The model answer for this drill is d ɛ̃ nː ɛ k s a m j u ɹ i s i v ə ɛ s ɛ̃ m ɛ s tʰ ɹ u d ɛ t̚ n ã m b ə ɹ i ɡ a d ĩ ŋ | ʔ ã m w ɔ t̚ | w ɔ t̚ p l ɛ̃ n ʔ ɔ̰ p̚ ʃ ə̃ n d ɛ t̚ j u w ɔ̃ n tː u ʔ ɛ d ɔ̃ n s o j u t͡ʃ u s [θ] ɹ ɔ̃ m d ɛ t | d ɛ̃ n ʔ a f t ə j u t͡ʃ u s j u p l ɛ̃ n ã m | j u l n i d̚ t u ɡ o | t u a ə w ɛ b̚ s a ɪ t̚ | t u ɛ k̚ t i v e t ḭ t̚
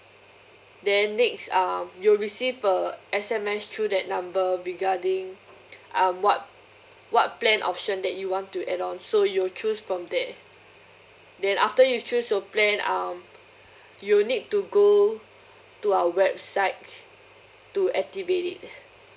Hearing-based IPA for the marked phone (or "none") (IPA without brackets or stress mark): f